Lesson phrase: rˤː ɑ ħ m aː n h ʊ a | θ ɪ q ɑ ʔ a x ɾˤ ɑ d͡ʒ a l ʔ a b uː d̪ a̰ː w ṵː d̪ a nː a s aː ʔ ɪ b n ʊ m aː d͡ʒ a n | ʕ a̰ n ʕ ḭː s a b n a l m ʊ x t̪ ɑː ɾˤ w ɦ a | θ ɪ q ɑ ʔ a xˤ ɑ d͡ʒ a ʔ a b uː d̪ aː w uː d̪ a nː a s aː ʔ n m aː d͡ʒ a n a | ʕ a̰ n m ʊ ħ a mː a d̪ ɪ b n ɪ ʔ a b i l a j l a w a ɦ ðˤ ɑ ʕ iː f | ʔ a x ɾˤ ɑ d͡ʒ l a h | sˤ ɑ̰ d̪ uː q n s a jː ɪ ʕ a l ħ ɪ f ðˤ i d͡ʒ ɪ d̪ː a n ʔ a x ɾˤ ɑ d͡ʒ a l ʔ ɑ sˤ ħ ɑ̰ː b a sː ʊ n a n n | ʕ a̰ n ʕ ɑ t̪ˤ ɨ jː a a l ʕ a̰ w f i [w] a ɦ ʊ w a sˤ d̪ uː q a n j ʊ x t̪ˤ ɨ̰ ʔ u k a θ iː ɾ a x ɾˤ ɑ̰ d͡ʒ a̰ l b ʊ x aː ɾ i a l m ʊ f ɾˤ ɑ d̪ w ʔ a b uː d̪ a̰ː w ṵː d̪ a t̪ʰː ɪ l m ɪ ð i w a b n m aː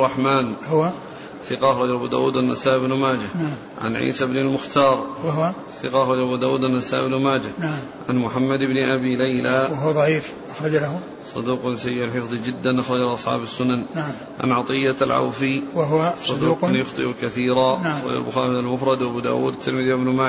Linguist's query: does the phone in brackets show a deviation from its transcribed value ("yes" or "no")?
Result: no